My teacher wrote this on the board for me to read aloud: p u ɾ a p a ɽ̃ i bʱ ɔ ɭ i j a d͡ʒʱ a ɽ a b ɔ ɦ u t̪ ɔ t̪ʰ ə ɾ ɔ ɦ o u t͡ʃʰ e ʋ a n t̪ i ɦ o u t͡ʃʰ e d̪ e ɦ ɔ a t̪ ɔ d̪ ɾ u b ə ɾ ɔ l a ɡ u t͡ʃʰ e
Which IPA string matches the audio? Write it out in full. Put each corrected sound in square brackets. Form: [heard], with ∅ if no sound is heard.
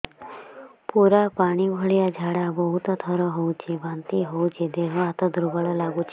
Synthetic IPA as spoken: p u ɾ a p a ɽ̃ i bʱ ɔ ɭ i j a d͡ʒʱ a ɽ a b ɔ ɦ u t̪ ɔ t̪ʰ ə ɾ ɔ ɦ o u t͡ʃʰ e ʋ a n t̪ i ɦ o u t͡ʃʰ e d̪ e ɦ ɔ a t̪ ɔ d̪ ɾ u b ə [ɭ] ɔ l a ɡ u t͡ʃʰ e